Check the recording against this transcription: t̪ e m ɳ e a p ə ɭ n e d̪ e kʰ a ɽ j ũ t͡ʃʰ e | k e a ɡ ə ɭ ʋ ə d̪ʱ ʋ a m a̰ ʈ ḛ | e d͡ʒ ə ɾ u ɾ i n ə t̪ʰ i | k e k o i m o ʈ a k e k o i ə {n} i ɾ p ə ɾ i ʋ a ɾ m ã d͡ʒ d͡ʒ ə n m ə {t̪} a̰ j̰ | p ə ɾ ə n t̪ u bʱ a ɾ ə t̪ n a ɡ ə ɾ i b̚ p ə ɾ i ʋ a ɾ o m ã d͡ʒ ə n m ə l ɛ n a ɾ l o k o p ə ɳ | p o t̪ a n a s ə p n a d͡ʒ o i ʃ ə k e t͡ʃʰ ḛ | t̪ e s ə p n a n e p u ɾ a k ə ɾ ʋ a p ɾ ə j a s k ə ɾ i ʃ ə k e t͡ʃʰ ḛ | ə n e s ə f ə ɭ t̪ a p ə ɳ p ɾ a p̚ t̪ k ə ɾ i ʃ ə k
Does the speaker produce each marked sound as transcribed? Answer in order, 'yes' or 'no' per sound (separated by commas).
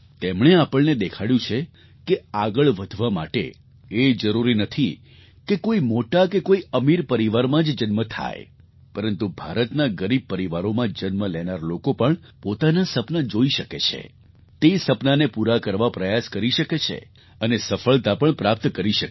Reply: no, no